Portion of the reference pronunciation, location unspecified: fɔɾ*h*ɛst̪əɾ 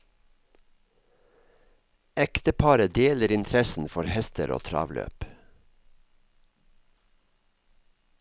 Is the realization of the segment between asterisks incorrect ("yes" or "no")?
no